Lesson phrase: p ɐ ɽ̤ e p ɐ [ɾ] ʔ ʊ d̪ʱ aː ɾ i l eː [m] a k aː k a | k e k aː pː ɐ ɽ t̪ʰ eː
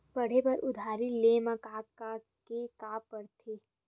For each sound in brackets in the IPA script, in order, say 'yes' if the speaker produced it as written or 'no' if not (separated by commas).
yes, yes